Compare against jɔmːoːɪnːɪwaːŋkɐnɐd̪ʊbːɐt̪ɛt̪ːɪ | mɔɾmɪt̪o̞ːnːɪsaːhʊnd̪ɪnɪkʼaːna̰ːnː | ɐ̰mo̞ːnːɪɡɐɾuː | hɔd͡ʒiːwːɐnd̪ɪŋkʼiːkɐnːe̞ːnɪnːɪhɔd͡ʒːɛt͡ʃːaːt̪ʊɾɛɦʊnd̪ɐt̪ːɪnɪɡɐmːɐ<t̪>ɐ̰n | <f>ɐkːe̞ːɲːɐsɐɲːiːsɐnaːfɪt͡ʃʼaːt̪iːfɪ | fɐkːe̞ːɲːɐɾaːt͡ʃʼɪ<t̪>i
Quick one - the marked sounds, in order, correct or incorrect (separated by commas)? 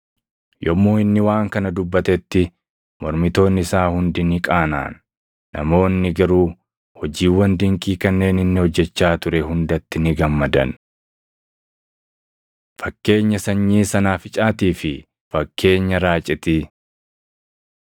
incorrect, correct, correct